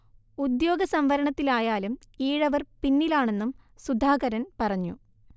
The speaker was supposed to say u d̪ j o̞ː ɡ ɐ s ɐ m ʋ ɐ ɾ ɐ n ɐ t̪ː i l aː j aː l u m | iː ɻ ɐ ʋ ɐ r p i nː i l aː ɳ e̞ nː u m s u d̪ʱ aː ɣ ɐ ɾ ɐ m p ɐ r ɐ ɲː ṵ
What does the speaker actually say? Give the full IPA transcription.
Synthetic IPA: u d̪ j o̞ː ɡ ɐ s ɐ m ʋ ɐ ɾ ɐ ɳ ɐ t̪ː i l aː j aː l u m | iː ɻ ɐ ʋ ɐ r p i nː i l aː ɳ e̞ nː u m s u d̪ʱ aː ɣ ɐ ɾ ɐ n p ɐ r ɐ ɲː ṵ